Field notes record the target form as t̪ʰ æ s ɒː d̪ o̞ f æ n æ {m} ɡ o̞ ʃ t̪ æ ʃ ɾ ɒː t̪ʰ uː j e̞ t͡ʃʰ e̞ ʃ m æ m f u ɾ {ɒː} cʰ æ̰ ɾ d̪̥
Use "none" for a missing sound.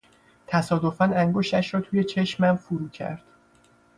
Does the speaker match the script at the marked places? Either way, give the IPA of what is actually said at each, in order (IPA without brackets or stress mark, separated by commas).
ŋ, uː